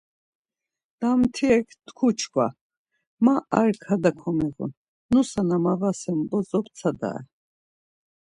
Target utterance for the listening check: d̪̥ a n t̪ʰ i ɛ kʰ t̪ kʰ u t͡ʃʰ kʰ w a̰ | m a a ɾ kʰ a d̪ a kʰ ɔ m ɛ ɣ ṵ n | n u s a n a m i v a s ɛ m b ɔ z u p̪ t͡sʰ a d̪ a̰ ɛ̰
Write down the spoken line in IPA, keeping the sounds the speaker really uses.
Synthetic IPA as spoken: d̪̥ a m t̪ʰ i ɛ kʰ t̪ kʰ u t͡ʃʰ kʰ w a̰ | m a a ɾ kʰ a d̪ a kʰ ɔ m ɛ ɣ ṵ n | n u s a n a m a v a s ɛ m b ɔ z ɔ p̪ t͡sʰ a d̪ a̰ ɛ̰